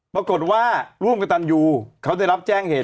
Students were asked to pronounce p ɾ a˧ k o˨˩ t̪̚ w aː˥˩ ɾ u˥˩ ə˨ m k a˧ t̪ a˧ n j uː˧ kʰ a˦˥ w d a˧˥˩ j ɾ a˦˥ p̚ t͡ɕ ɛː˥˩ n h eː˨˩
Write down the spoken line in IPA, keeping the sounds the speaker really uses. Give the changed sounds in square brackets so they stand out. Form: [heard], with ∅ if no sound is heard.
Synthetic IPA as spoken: p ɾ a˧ k o˨˩ t̪̚ w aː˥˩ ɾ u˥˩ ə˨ m k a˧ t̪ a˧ n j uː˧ kʰ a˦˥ w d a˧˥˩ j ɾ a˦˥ p̚ t͡ɕ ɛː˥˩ [ŋ] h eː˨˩

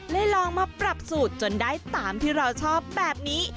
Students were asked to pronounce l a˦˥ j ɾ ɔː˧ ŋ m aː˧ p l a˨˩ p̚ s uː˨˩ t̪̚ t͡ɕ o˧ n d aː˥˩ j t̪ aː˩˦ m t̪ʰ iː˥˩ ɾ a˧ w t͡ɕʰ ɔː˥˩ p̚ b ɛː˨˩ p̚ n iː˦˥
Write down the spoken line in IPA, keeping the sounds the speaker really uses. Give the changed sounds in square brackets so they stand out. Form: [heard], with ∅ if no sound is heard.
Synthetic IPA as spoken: l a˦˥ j [l] ɔː˧ ŋ m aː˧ p [ɾ] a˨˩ p̚ s uː˨˩ t̪̚ t͡ɕ o˧ n d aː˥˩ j t̪ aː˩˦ m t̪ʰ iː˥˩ ɾ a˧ w t͡ɕʰ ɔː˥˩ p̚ b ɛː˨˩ p̚ n iː˦˥

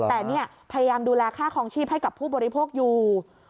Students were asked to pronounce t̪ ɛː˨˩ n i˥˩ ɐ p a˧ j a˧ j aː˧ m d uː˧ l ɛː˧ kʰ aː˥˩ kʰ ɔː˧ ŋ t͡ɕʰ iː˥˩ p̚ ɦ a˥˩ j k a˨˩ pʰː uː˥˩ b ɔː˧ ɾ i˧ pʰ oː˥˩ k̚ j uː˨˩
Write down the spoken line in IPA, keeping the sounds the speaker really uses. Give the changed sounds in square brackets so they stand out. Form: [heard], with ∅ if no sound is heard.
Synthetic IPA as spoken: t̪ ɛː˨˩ n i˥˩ ɐ [pʰ] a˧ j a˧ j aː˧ m d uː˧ l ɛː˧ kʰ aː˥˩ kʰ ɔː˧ ŋ t͡ɕʰ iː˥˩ p̚ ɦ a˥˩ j k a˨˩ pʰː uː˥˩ b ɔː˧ ɾ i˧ pʰ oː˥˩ k̚ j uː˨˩

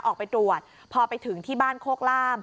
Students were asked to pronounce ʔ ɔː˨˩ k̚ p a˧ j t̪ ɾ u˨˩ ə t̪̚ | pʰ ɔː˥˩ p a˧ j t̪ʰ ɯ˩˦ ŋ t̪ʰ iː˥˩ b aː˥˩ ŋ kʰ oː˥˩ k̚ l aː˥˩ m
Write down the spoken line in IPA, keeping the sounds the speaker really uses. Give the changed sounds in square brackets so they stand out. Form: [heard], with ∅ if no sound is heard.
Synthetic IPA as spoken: ʔ ɔː˨˩ k̚ p a˧ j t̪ ɾ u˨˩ ə t̪̚ | pʰ [ɔː˧] p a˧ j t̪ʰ ɯ˩˦ ŋ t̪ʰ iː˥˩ b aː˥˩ [n] kʰ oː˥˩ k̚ l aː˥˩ m

